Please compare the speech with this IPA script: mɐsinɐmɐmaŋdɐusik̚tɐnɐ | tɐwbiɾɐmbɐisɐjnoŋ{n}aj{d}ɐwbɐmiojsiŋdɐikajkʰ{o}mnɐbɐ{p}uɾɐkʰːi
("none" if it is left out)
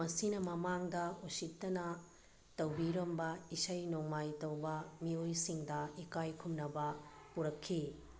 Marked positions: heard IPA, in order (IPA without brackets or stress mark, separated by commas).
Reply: m, t, u, p